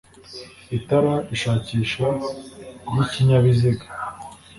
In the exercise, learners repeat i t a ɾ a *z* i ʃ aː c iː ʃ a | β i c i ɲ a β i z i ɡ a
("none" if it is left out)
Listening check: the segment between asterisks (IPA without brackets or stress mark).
none